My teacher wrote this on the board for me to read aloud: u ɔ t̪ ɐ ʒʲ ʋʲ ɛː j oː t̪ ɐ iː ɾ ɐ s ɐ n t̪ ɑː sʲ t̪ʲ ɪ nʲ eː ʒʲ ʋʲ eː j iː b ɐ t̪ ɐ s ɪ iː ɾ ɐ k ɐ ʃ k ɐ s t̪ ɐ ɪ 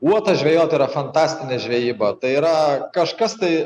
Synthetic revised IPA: u ɔ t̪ ɐ ʒʲ ʋʲ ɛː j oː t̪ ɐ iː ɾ ɐ f ɐ n t̪ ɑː sʲ t̪ʲ ɪ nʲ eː ʒʲ ʋʲ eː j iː b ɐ t̪ ɐ ɪ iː ɾ ɐ k ɐ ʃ k ɐ s t̪ ɐ ɪ

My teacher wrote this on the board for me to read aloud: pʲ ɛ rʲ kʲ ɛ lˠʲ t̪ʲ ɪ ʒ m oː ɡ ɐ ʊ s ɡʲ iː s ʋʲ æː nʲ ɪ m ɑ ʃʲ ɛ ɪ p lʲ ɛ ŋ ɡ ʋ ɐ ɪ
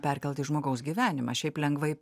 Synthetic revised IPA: pʲ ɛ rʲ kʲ ɛ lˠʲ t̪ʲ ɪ ʒ m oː ɡ ɐ ʊ s ɡʲ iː ʋʲ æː nʲ ɪ m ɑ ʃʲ ɛ ɪ p lʲ ɛ ŋ ɡ ʋ ɐ ɪ

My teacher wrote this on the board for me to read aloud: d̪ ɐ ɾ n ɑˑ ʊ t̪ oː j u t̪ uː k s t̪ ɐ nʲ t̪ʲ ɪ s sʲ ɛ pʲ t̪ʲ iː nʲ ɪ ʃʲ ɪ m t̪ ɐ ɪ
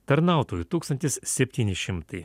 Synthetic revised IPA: t̪ ɐ ɾ n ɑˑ ʊ t̪ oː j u t̪ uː k s t̪ ɐ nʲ t̪ʲ ɪ s sʲ ɛ pʲ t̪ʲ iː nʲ ɪ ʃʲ ɪ m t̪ ɐ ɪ

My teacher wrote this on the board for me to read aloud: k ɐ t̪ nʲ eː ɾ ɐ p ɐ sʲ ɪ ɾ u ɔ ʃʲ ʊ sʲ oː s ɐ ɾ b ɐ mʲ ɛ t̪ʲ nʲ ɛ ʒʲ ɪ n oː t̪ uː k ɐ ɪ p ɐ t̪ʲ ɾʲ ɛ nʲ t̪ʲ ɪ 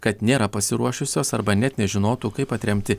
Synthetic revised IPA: k ɐ t̪ nʲ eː ɾ ɐ p ɐ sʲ ɪ ɾ u ɔ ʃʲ ʊ sʲ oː s ɐ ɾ b ɐ nʲ ɛ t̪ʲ nʲ ɛ ʒʲ ɪ n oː t̪ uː k ɐ ɪ p ɐ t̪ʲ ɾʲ ɛ mʲ t̪ʲ ɪ

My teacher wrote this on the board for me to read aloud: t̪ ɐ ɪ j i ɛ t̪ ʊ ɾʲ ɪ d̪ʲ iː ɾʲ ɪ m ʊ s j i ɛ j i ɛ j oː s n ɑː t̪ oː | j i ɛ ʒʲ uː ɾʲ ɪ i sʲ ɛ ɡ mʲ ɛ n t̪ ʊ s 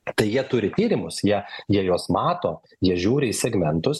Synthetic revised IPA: t̪ ɐ ɪ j i ɛ t̪ ʊ ɾʲ ɪ t̪ʲ iː ɾʲ ɪ m ʊ s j i ɛ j i ɛ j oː s m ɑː t̪ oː | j i ɛ ʒʲ uː ɾʲ ɪ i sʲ ɛ ɡ mʲ ɛ n t̪ ʊ s

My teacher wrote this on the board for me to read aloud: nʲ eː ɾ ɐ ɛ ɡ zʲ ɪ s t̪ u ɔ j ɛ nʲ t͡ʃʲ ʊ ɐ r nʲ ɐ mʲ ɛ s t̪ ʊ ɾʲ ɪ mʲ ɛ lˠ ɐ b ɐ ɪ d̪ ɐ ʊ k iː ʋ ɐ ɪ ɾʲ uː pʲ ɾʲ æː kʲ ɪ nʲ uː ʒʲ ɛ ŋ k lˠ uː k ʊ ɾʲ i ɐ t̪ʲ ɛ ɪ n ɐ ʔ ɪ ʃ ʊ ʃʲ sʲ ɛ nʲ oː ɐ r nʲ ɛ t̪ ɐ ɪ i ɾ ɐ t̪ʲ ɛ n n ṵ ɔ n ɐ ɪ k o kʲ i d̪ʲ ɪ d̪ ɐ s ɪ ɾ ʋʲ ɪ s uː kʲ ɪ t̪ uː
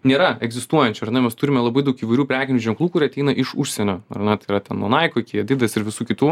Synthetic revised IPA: nʲ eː ɾ ɐ ɛ ɡ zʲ ɪ s t̪ u ɔ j ɛ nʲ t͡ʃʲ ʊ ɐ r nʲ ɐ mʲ ɛ s t̪ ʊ ɾʲ ɪ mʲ ɛ lˠ ɐ b ɐ ɪ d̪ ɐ ʊ k iː ʋ ɐ ɪ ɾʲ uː pʲ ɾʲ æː kʲ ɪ nʲ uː ʒʲ ɛ ŋ k lˠ uː k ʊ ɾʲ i ɐ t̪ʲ ɛ ɪ n ɐ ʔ ɪ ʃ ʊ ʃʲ sʲ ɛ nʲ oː ɐ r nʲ ɛ t̪ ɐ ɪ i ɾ ɐ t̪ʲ ɛ n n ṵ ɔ n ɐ ɪ k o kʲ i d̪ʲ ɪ d̪ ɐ s ɪ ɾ ʋʲ ɪ s uː kʲ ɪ t̪ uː

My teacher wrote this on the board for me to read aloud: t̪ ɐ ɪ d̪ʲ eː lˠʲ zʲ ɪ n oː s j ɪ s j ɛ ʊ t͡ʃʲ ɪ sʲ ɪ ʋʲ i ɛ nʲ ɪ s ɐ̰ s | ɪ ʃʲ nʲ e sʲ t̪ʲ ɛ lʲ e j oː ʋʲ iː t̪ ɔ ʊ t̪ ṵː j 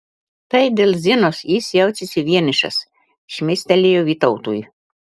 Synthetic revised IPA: t̪ ɐ ɪ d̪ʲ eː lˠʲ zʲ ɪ n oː s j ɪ s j ɛ ʊ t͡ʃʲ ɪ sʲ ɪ ʋʲ i ɛ nʲ ɪ ʃ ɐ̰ s | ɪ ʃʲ mʲ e sʲ t̪ʲ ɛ lʲ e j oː ʋʲ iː t̪ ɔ ʊ t̪ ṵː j

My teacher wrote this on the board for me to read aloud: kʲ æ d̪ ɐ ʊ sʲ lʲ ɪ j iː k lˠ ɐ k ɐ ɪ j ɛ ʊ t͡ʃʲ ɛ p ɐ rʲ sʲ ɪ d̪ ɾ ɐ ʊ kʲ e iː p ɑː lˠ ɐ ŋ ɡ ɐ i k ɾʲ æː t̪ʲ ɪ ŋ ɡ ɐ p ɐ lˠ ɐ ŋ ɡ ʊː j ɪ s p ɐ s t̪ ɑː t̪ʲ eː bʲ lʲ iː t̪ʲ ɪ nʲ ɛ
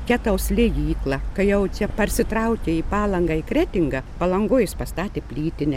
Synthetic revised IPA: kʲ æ t̪ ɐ ʊ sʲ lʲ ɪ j iː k lˠ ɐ k ɐ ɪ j ɛ ʊ t͡ʃʲ ɛ p ɐ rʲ sʲ ɪ t̪ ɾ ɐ ʊ kʲ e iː p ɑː lˠ ɐ ŋ ɡ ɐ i k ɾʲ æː t̪ʲ ɪ ŋ ɡ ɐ p ɐ lˠ ɐ ŋ ɡ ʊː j ɪ s p ɐ s t̪ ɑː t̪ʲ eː pʲ lʲ iː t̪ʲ ɪ nʲ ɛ

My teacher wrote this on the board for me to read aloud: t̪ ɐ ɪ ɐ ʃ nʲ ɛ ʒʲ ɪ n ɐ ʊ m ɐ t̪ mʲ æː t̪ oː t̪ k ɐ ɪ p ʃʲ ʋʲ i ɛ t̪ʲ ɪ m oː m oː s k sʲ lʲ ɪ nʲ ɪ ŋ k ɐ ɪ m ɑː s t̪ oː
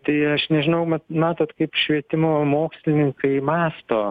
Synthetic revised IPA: t̪ ɐ ɪ ɐ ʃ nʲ ɛ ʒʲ ɪ n ɐ ʊ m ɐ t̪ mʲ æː t̪ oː t̪ k ɐ ɪ p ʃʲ ʋʲ i ɛ t̪ʲ ɪ m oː m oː k sʲ lʲ ɪ nʲ ɪ ŋ k ɐ ɪ m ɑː s t̪ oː

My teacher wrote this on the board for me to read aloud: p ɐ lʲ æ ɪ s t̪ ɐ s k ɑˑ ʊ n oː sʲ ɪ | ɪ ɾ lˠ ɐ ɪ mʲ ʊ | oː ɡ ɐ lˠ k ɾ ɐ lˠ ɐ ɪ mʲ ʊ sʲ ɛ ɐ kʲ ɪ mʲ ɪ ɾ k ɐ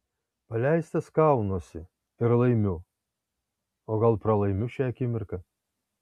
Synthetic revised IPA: p ɐ lʲ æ ɪ s t̪ ɐ s k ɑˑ ʊ n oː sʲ ɪ | ɪ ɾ lˠ ɐ ɪ mʲ ʊ | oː ɡ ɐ lˠ p ɾ ɐ lˠ ɐ ɪ mʲ ʊ ʃʲ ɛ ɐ kʲ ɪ mʲ ɪ ɾ k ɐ

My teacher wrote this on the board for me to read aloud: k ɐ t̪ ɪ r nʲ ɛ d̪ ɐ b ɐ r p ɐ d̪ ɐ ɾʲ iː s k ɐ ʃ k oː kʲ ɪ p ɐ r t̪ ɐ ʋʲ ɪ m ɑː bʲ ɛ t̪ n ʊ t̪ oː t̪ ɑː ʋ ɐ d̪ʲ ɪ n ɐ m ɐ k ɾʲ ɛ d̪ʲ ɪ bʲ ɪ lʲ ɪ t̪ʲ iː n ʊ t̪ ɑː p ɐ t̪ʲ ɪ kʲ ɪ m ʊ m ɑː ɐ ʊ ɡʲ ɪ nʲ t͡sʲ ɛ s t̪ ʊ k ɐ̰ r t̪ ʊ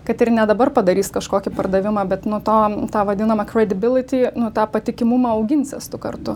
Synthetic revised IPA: k ɐ t̪ ɪ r nʲ ɛ d̪ ɐ b ɐ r p ɐ d̪ ɐ ɾʲ iː s k ɐ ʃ k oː kʲ ɪ p ɐ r d̪ ɐ ʋʲ ɪ m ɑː bʲ ɛ t̪ n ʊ t̪ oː t̪ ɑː ʋ ɐ d̪ʲ ɪ n ɐ m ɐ k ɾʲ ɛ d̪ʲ ɪ bʲ ɪ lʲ ɪ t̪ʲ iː n ʊ t̪ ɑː p ɐ t̪ʲ ɪ kʲ ɪ m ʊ m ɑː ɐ ʊ ɡʲ ɪ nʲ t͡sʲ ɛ s t̪ ʊ k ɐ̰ r t̪ ʊ

